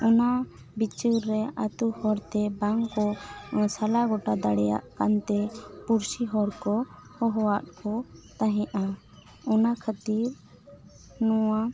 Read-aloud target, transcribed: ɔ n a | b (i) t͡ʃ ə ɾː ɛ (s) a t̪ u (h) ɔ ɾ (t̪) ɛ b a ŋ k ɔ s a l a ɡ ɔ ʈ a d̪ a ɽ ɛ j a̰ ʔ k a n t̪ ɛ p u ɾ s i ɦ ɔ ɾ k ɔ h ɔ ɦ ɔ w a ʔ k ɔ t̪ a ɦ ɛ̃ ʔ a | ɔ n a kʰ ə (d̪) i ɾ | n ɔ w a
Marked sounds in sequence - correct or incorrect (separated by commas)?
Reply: correct, incorrect, correct, correct, incorrect